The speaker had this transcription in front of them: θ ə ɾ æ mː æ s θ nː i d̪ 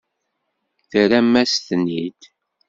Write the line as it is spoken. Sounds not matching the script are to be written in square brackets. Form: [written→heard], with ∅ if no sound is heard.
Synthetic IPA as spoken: θ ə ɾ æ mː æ s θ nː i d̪